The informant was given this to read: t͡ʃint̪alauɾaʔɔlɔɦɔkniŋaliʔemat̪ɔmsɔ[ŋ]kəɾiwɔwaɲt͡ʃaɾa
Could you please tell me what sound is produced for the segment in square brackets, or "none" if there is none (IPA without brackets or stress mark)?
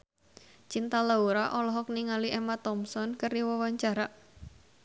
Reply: n